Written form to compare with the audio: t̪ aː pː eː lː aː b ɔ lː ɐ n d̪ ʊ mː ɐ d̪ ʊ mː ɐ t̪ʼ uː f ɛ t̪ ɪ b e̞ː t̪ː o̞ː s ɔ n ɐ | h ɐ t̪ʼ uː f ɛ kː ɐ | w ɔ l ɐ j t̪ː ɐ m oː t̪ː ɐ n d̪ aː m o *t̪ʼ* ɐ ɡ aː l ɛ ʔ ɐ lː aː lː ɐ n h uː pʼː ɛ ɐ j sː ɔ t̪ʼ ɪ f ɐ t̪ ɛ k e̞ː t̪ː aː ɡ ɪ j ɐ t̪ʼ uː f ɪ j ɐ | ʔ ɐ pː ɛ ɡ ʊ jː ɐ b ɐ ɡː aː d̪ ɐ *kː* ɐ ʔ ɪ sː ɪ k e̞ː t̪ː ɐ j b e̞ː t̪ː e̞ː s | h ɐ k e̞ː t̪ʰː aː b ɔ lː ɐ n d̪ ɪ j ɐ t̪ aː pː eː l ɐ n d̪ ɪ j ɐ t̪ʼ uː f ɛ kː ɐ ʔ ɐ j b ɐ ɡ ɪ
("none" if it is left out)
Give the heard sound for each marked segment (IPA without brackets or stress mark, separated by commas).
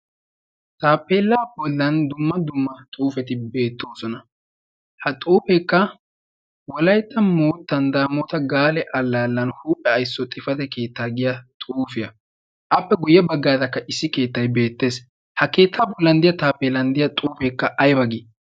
t̪, kː